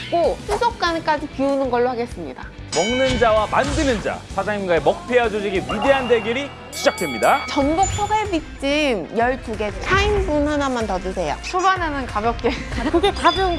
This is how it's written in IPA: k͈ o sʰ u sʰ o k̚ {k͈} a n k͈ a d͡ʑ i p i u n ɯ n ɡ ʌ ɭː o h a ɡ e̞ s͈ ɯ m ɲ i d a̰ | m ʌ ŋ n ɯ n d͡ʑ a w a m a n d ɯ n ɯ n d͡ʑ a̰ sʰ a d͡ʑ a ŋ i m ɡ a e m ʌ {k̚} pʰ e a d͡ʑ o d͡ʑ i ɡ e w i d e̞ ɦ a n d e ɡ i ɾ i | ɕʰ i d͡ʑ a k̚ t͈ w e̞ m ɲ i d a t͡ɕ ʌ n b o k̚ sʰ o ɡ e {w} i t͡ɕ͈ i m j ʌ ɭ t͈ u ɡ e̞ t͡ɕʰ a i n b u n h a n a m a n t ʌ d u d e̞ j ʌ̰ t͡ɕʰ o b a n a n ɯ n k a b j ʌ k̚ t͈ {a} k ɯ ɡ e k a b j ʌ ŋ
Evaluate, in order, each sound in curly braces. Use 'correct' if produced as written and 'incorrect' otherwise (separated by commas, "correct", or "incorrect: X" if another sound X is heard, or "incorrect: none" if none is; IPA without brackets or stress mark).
correct, correct, incorrect: b, incorrect: e